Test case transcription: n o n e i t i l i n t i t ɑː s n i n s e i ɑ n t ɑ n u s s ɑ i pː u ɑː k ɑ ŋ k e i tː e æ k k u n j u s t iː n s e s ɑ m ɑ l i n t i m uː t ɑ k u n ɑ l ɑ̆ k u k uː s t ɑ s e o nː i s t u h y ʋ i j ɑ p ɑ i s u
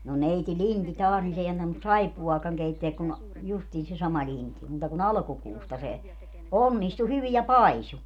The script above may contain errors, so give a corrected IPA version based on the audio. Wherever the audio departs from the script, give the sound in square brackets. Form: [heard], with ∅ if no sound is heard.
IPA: n o n e i t i l i n t i t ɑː s n i n s e i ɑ n t ɑ n u s s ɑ i pː u ɑː k ɑ ŋ k e i tː e æ k k u n j u s t iː n s e s ɑ m ɑ l i n t i m uː t ɑ k u n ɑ l ɑ̆ k u k uː s t ɑ s e o nː i s t u h y ʋ i j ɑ p ɑ i s u